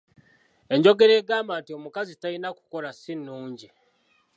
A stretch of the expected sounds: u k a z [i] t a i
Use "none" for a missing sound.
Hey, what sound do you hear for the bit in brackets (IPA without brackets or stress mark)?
i